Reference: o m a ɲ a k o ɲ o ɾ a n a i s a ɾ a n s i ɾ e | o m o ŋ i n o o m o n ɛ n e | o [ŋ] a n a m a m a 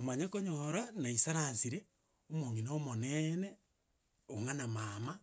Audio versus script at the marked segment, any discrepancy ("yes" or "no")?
no